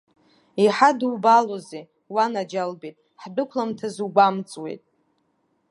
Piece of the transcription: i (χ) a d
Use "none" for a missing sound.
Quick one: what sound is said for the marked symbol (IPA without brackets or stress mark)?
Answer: ħ